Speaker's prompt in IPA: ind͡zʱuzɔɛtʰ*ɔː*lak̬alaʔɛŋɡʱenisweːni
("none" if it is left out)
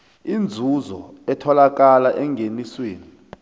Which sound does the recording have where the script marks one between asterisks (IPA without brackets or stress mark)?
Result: ɔ